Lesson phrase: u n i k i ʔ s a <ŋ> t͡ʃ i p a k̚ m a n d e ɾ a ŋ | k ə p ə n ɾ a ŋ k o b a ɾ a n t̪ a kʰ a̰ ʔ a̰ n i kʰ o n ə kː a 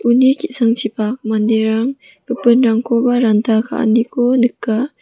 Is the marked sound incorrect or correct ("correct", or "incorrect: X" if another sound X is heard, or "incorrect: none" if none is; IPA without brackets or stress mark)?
correct